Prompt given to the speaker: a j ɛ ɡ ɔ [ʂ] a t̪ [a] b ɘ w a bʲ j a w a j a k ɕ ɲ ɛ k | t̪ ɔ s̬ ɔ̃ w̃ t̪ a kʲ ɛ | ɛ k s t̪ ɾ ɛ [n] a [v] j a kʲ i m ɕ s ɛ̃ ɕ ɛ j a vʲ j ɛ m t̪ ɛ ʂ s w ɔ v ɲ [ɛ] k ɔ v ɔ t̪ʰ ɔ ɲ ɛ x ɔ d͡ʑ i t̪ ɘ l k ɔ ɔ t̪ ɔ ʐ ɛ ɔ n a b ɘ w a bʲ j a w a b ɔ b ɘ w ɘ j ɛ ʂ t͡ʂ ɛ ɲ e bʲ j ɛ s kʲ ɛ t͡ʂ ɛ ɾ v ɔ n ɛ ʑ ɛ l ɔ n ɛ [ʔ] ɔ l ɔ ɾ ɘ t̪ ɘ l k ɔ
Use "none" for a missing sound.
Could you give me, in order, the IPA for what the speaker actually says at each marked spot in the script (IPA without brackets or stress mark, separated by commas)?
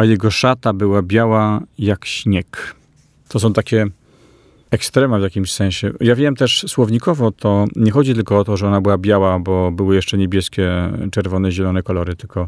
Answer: ʂ, a, m, v, i, k